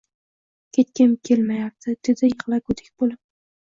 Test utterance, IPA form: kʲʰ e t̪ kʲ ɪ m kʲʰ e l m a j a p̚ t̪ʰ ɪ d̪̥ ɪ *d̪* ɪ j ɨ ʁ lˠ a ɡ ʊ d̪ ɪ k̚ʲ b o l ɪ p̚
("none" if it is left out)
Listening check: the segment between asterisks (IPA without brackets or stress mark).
d̪